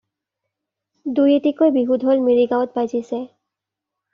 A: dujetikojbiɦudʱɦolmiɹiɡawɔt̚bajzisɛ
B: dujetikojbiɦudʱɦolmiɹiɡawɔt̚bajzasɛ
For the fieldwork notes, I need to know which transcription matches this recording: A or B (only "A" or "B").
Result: A